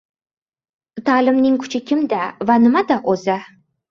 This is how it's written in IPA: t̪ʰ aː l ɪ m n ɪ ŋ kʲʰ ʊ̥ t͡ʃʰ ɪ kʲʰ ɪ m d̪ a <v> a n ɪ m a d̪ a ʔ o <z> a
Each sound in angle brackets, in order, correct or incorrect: correct, correct

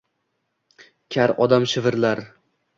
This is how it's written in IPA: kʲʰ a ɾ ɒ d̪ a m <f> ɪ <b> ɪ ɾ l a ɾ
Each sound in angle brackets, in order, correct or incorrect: incorrect: ʃ, incorrect: v

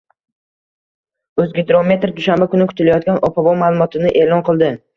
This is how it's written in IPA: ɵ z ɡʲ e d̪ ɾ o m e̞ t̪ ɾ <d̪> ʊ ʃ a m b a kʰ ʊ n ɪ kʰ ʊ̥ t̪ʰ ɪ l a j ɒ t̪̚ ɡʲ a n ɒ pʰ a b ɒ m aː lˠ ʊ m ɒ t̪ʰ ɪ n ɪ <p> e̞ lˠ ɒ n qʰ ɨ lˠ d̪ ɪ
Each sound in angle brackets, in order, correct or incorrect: correct, incorrect: ʔ

